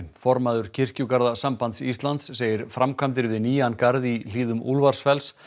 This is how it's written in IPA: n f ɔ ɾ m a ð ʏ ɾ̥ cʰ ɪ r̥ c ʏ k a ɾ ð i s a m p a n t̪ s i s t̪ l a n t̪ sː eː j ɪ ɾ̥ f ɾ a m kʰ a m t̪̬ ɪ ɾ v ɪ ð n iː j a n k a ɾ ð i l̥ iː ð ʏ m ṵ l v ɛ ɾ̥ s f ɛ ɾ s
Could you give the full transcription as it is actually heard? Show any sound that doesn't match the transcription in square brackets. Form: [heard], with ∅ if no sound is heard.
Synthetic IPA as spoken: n f ɔ ɾ m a ð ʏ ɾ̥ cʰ ɪ r̥ c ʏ k a ɾ ð [a] s a m p a n t̪ s i s t̪ l a n t̪ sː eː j ɪ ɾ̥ f ɾ a m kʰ a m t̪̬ ɪ ɾ v ɪ ð n iː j a n k a ɾ ð i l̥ iː ð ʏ m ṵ l v [a] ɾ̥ s f ɛ [l] s